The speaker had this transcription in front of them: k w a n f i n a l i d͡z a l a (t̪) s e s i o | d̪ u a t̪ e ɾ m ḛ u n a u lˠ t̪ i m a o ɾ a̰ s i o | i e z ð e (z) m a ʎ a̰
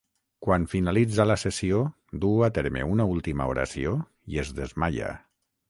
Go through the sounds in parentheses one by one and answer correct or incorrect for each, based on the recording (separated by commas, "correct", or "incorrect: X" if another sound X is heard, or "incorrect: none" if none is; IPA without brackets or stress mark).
incorrect: none, correct